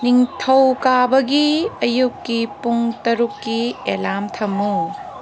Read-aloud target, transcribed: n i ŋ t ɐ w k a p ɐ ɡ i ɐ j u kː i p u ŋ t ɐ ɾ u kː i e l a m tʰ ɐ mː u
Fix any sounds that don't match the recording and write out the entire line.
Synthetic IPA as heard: n i ŋ tʰ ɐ w k a b ɐ ɡ i ɐ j u kː i p u ŋ t ɐ ɾ u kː i e l a m tʰ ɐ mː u